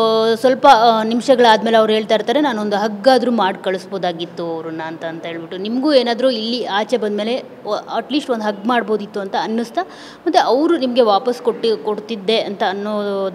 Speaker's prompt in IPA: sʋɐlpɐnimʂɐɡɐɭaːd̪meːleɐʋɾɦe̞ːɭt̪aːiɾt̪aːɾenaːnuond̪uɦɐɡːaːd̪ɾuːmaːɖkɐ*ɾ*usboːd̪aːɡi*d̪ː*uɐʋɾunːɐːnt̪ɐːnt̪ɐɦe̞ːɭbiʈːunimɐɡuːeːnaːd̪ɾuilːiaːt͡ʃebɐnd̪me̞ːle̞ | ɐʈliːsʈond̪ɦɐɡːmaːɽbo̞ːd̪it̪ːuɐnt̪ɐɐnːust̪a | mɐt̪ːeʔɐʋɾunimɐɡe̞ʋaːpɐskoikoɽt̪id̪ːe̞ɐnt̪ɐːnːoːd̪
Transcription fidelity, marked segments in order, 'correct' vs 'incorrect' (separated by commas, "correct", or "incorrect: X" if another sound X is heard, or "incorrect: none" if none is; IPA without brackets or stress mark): incorrect: ɭ, incorrect: t̪ː